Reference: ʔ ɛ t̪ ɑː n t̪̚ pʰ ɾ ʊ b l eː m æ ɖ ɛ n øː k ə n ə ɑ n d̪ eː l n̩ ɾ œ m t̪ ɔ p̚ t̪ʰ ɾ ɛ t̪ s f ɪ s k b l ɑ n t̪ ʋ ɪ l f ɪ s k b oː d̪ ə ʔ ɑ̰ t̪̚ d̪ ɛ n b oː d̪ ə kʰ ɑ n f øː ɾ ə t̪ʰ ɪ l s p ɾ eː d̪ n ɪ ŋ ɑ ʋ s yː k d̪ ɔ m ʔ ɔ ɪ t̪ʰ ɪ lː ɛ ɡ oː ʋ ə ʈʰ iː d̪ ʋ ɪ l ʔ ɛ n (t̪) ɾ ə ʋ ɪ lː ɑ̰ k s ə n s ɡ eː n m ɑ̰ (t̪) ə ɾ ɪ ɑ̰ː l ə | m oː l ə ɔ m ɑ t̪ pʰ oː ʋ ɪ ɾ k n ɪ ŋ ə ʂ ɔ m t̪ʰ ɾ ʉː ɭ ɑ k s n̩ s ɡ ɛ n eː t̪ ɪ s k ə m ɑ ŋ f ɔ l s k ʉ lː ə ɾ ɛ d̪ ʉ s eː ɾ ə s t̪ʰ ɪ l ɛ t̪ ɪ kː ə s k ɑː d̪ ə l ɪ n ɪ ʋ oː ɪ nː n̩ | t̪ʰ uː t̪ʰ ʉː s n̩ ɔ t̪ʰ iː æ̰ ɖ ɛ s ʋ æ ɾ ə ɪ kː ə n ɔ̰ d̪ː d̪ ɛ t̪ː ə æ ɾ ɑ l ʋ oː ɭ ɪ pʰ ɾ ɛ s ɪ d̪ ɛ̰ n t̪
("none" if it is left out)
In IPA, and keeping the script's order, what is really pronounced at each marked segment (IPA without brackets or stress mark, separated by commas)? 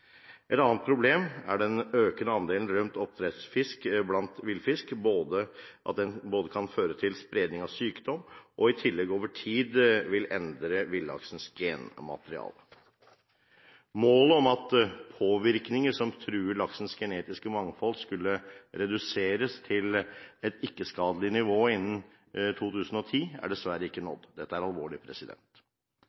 d̪, t̪